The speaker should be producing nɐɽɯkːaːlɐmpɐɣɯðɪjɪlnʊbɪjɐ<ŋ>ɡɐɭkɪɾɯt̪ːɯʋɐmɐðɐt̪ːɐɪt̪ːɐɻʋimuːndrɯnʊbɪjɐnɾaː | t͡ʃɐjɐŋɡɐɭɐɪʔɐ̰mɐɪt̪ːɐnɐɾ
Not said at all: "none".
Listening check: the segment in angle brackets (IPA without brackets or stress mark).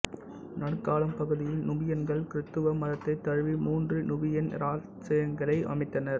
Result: n